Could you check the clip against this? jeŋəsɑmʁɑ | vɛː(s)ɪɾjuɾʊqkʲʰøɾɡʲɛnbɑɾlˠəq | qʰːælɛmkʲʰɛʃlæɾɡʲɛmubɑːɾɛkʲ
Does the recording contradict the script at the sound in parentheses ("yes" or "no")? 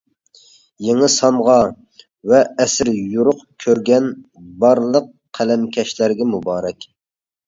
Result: no